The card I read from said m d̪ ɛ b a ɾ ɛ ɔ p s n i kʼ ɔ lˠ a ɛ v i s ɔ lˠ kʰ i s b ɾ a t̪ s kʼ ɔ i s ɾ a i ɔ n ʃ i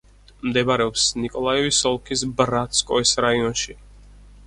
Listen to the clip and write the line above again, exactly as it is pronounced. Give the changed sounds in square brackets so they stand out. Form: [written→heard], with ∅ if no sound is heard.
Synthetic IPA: m d̪ ɛ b a ɾ ɛ ɔ p s n i kʼ ɔ lˠ a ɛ v i s ɔ lˠ kʰ i s b ɾ a t̪ s kʼ ɔ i s ɾ a i ɔ n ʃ i